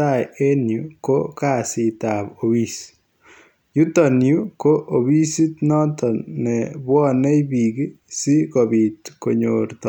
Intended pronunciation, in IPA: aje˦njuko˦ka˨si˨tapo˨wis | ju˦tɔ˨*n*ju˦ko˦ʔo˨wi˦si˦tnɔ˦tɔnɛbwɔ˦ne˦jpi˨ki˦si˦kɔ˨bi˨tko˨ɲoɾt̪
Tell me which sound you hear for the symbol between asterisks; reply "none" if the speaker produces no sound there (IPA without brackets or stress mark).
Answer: n